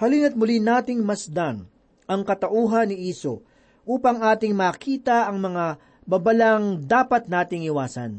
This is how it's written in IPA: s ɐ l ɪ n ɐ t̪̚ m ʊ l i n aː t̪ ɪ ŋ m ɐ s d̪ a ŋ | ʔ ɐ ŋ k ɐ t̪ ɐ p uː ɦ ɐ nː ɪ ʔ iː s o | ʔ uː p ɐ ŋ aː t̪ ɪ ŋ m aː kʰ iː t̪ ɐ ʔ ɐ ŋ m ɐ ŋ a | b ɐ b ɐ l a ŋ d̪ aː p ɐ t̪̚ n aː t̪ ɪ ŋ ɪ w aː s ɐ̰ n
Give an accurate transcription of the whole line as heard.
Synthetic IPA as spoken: h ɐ l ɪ n ɐ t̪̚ m ʊ l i n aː t̪ ɪ ŋ m ɐ s d̪ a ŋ | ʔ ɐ ŋ k ɐ t̪ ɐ ʔ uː ɦ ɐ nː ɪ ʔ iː s o | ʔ uː p ɐ ŋ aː t̪ ɪ ŋ m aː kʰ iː t̪ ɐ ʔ ɐ ŋ m ɐ ŋ a | b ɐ b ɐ l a ŋ d̪ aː p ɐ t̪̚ n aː t̪ ɪ ŋ ɪ w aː s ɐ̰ n